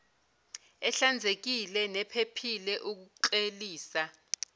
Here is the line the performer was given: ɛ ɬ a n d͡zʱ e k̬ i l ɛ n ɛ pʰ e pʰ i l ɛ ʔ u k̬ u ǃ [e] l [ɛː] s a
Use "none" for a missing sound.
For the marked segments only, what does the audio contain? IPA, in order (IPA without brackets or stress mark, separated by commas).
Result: e, iː